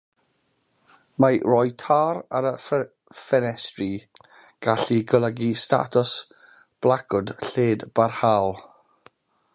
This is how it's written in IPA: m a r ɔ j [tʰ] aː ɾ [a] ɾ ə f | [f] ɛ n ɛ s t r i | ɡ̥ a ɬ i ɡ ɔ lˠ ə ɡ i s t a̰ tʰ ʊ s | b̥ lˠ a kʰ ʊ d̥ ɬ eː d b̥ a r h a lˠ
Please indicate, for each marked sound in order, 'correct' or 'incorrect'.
correct, correct, correct

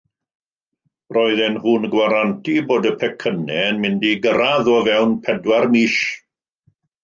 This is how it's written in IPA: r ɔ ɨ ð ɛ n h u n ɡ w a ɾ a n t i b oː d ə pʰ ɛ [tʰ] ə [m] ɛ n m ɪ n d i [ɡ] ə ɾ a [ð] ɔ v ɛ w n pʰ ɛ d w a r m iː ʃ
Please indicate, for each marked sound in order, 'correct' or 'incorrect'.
incorrect: kʰ, incorrect: n, correct, correct

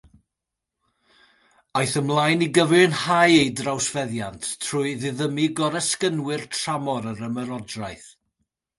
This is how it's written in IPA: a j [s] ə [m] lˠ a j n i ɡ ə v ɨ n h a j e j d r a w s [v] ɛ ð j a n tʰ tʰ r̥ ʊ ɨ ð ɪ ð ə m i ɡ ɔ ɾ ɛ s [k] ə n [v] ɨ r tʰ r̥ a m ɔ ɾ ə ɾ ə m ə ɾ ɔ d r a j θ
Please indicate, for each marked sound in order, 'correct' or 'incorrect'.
incorrect: θ, correct, correct, correct, incorrect: w

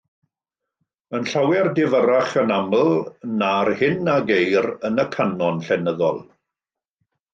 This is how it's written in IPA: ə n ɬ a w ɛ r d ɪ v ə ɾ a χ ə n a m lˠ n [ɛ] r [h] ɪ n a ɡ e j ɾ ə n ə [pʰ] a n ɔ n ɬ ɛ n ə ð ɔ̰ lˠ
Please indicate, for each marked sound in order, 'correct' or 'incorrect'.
incorrect: a, correct, incorrect: kʰ

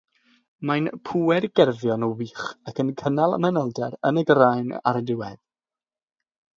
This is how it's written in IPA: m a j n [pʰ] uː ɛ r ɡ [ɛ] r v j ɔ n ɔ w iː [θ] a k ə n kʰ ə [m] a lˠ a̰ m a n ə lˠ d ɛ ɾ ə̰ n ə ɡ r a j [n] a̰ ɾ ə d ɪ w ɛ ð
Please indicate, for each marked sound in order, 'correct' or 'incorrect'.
correct, correct, incorrect: χ, incorrect: n, correct

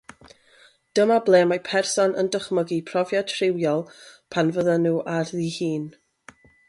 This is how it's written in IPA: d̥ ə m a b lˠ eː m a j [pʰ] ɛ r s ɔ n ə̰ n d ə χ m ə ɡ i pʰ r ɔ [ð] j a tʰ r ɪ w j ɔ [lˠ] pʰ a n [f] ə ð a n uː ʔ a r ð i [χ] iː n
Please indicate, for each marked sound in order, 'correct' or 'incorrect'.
correct, incorrect: v, correct, incorrect: v, incorrect: h

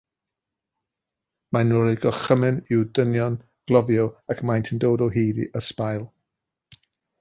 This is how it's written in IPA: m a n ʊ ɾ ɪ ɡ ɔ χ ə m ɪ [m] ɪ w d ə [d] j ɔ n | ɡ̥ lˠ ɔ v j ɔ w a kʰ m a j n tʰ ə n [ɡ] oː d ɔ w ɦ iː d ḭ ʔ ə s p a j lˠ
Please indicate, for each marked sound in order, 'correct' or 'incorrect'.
incorrect: n, incorrect: n, incorrect: d

